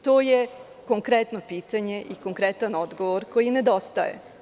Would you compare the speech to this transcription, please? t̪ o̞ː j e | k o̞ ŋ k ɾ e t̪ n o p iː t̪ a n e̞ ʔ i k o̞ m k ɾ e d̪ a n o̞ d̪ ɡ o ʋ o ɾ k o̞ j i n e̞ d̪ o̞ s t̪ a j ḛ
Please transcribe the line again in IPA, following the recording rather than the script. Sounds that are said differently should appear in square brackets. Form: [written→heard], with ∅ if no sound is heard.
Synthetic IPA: t̪ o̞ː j e | k o̞ ŋ k ɾ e t̪ n o p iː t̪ a [n→ɲ] e̞ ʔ i k o̞ [m→ŋ] k ɾ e [d̪→t̪] a n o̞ d̪ ɡ o ʋ o ɾ k o̞ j i n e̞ d̪ o̞ s t̪ a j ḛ